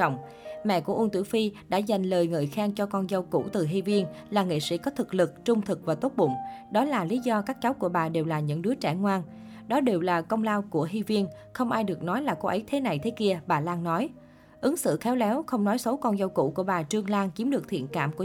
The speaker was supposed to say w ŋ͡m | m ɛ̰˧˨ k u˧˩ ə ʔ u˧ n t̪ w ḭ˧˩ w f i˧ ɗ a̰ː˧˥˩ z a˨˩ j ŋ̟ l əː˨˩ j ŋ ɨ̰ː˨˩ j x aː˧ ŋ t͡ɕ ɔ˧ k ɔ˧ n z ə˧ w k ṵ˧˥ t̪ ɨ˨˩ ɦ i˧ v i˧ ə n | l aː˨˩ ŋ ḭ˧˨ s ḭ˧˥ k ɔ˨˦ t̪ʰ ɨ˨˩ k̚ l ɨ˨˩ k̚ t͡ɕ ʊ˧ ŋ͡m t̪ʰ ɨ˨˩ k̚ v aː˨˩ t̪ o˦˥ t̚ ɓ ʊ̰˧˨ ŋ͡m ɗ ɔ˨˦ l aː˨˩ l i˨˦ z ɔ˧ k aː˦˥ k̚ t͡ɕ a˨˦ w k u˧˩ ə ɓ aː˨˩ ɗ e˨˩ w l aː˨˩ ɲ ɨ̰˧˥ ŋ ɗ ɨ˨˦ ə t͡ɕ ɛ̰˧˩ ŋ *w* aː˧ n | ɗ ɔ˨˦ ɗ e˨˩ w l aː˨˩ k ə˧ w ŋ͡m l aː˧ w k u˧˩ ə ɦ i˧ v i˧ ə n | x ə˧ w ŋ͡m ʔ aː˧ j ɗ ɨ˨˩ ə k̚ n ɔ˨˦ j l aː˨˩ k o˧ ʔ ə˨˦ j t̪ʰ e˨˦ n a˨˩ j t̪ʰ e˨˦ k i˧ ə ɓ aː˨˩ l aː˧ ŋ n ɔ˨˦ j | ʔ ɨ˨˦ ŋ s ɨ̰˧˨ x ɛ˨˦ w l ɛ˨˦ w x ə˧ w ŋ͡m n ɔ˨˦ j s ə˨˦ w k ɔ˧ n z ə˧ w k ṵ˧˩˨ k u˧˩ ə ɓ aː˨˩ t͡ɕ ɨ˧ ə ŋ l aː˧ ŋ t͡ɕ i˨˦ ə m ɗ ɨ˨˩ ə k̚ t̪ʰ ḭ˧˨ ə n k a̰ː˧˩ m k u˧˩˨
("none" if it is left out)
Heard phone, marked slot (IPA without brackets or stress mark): w